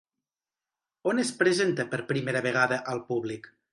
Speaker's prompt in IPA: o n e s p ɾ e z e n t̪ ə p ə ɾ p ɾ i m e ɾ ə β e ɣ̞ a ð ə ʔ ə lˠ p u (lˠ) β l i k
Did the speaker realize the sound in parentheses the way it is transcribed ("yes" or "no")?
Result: no